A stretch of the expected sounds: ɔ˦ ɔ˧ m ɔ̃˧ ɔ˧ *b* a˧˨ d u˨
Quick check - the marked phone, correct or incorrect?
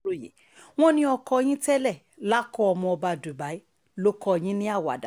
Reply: correct